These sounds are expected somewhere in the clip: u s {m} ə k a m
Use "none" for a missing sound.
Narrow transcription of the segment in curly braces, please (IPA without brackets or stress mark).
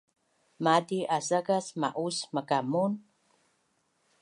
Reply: m